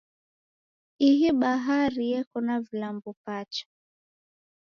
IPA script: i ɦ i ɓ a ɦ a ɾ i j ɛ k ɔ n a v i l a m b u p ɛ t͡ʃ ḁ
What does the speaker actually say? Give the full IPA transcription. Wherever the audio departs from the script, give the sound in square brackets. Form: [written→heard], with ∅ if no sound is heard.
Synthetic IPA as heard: i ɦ i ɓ a ɦ a ɾ i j ɛ k ɔ n a v i l a m b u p [ɛ→a] t͡ʃ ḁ